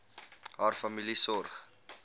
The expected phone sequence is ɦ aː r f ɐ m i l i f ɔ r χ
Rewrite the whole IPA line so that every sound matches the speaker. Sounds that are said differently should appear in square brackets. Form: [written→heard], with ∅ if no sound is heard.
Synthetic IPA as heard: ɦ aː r f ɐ m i l i [f→s] ɔ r χ

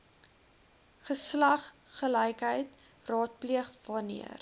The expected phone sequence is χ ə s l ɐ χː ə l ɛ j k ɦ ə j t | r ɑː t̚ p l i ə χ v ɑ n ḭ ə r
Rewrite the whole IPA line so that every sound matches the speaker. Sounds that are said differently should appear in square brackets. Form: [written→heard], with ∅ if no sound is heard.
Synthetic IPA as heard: χ ə s l ɐ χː ə l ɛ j k ɦ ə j t | r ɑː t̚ p l i ə χ v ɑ n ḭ ə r

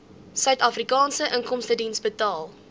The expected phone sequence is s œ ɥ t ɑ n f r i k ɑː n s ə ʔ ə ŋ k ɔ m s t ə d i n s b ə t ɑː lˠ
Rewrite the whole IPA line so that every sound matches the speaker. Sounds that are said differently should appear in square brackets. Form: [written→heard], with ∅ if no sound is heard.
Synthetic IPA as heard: s œ ɥ t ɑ [n→∅] f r i k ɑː n s ə ʔ ə ŋ k ɔ m s t ə d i n s b ə t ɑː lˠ

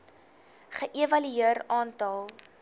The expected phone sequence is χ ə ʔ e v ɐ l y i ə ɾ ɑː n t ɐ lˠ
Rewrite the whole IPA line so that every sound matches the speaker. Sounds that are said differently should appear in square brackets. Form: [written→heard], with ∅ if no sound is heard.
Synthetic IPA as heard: χ ə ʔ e v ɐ l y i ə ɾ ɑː n t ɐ lˠ

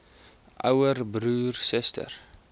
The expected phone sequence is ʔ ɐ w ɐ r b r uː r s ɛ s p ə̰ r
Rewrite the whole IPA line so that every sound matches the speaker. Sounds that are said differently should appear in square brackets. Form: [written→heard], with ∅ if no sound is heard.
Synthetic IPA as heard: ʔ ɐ w [ɐ→ə] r b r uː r s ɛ s [p→t] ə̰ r

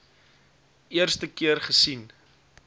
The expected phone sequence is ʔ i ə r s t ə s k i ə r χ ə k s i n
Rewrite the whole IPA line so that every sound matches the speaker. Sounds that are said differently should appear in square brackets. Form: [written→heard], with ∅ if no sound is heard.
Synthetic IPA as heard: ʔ i ə r s t ə [s→∅] k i ə r χ ə [k→∅] s i n

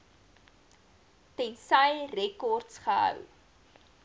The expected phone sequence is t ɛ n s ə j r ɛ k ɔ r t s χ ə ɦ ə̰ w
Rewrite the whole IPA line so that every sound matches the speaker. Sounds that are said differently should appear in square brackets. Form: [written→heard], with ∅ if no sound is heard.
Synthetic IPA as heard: t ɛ n s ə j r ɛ k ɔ r t s χ ə ɦ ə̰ w

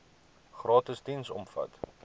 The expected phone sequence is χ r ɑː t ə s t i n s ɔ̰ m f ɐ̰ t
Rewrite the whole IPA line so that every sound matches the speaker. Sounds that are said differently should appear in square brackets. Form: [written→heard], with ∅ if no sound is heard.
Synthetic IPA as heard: χ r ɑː t ə s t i n s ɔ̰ m f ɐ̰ t

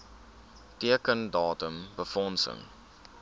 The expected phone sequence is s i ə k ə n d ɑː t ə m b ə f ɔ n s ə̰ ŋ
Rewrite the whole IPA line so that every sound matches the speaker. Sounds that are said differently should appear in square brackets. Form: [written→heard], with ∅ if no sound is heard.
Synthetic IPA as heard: [s→t] i ə k ə n d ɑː t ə m b ə f ɔ n s ə̰ ŋ

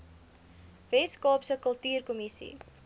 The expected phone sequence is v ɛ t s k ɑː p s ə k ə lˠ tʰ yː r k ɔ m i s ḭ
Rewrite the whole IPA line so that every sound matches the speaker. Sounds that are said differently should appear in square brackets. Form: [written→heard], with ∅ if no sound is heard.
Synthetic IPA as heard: v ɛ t s k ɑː p s ə k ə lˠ [tʰ→t] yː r k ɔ m i s ḭ

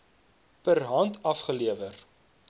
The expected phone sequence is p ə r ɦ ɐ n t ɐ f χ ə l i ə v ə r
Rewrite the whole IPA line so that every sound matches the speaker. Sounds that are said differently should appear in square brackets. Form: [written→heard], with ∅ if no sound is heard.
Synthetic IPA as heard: p ə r ɦ ɐ n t ɐ f χ ə l i ə v ə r

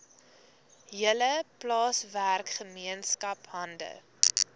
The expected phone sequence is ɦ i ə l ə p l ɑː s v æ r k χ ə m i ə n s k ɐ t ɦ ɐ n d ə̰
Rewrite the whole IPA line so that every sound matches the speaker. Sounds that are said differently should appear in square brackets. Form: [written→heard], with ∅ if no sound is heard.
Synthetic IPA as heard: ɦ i ə l ə p l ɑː s v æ r k χ ə m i ə n s k ɐ [t→p] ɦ ɐ n d ə̰

